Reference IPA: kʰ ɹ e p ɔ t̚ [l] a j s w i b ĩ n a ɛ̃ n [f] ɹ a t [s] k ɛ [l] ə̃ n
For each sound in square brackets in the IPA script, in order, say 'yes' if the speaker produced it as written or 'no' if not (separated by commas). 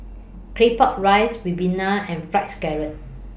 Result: no, yes, yes, no